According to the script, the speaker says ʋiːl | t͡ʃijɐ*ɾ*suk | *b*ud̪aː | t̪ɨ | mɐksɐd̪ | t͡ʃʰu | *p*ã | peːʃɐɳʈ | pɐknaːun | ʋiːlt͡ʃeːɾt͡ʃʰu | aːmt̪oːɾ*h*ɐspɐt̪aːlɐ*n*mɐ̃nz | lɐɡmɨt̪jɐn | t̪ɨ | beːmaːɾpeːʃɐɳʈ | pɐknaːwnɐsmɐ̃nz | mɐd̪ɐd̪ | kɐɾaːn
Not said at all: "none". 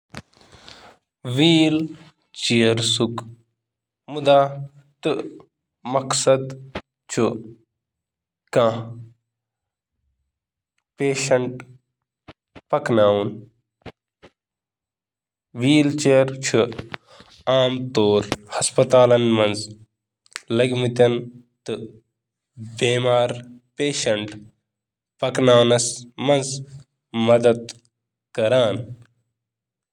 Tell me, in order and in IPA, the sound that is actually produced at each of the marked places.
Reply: ɾ, m, k, h, n

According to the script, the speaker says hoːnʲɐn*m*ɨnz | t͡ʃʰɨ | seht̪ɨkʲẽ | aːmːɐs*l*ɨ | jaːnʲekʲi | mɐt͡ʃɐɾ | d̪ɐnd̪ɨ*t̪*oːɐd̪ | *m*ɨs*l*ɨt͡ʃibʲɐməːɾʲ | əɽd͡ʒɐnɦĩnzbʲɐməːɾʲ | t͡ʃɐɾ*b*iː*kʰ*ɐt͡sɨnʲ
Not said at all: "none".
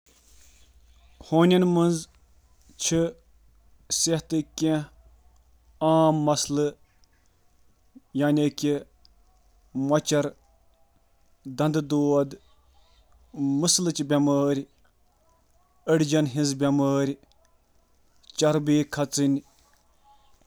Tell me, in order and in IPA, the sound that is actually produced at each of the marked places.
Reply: m, l, d̪, m, l, b, kʰ

